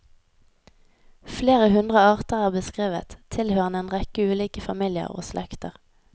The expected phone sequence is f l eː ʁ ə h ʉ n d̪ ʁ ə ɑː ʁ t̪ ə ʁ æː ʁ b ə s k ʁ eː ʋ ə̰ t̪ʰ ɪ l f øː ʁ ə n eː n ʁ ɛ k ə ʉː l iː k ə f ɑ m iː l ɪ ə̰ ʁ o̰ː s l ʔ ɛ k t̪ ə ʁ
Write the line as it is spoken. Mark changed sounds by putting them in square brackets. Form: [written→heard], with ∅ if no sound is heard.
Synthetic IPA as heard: f l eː ʁ ə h ʉ n d̪ ʁ ə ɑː ʁ t̪ ə ʁ æː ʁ b ə s k ʁ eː ʋ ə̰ t̪ʰ ɪ l [f→h] øː ʁ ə n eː n ʁ ɛ k ə ʉː l iː k ə f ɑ m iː l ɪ ə̰ ʁ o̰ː s l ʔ ɛ k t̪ ə ʁ